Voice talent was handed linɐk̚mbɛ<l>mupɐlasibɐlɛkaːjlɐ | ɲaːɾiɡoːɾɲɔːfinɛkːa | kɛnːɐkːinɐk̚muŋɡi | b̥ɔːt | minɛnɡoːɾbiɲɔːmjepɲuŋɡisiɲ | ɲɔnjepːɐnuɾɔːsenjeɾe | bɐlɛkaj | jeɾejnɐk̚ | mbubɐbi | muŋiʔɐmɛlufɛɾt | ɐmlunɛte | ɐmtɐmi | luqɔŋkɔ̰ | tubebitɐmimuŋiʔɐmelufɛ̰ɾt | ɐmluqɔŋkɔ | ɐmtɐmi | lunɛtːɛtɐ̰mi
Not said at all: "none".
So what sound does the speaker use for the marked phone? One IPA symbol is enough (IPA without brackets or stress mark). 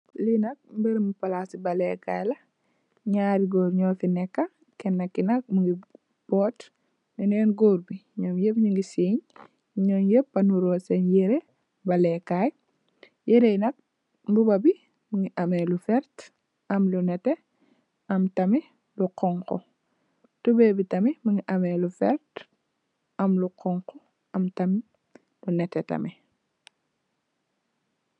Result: ɾ